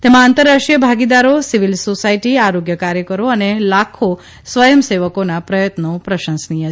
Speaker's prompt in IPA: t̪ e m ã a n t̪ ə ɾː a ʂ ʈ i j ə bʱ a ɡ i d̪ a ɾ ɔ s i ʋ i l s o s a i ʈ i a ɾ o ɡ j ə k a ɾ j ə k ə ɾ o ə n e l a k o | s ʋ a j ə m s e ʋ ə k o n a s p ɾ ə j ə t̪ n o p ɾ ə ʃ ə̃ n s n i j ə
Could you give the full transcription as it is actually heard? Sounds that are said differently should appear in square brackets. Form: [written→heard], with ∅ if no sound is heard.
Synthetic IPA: t̪ e m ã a n t̪ ə ɾː a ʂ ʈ i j ə bʱ a ɡ i d̪ a ɾ [ɔ→o] s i ʋ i l s o s a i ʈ i a ɾ o ɡ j ə k a ɾ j ə k ə ɾ o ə n e l a [k→kʰ] o | s ʋ [a→ə] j ə m s e ʋ ə k o n a [s→∅] p ɾ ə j ə t̪ n o p ɾ ə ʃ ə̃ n s n i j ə